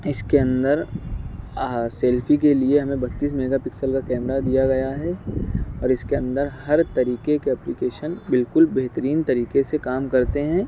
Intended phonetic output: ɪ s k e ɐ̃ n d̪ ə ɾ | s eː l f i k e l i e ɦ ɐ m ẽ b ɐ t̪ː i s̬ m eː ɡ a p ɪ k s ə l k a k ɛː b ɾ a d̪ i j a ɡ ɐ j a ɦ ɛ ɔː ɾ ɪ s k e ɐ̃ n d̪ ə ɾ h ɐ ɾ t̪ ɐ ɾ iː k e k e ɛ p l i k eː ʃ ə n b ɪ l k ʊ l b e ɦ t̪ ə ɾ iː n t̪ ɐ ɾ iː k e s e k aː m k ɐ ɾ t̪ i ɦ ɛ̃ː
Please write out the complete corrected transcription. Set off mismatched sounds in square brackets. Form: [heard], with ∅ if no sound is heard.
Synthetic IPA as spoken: ɪ s k e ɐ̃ n d̪ ə ɾ | s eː l f i k e l i e ɦ ɐ m ẽ b ɐ t̪ː [iː] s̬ m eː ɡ a p ɪ k s ə l k a k ɛː [m] ɾ a d̪ i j a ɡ ɐ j a ɦ ɛ ɔː ɾ ɪ s k e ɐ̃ n d̪ ə ɾ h ɐ ɾ t̪ ɐ ɾ iː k e k e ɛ p l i k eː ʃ ə n b ɪ l k ʊ l b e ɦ t̪ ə ɾ iː n t̪ ɐ ɾ iː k e s e k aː m k ɐ ɾ t̪ [e] ɦ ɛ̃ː